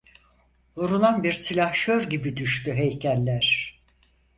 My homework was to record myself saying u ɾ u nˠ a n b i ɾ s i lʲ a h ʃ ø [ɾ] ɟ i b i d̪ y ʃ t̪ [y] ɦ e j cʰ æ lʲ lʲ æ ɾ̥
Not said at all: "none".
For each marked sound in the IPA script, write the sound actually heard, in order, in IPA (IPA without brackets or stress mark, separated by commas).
ɾ, y